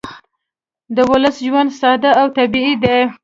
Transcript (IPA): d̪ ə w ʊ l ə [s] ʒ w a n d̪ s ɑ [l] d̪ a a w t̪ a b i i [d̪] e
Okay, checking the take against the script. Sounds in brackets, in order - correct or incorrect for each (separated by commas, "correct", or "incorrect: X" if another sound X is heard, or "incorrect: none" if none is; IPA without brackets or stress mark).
correct, incorrect: none, correct